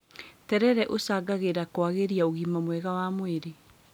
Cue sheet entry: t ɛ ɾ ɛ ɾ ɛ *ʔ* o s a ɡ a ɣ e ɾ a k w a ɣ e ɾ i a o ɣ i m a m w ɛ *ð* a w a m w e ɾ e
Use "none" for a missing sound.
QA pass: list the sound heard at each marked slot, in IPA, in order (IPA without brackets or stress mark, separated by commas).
ʔ, ɣ